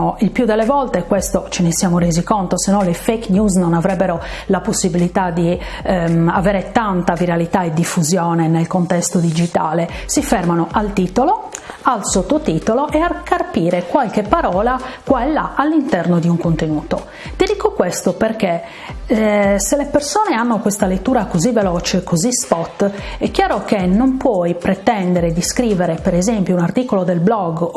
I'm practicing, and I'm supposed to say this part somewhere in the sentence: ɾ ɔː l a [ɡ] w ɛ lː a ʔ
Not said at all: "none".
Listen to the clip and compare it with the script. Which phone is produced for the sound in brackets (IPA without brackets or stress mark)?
k